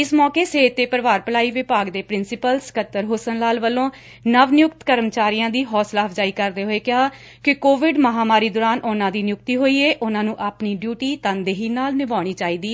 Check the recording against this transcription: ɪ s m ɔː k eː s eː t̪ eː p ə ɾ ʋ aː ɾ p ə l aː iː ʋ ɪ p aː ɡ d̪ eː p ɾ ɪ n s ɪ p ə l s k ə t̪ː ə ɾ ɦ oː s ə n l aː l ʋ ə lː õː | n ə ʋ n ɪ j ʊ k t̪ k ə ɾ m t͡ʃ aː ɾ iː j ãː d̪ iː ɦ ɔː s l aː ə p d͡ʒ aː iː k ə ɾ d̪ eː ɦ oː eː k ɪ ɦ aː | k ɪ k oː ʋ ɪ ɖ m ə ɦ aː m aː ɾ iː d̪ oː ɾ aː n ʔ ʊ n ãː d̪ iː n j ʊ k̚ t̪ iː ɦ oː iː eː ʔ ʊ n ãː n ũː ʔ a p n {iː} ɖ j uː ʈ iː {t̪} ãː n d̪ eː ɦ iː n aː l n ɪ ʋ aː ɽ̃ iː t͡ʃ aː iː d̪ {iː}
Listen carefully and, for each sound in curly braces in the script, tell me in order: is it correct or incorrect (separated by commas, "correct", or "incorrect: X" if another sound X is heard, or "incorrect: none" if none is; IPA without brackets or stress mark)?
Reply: correct, correct, correct